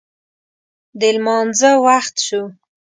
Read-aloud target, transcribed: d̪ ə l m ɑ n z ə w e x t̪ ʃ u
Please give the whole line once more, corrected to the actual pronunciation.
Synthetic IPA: d̪ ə l m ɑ n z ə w a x t̪ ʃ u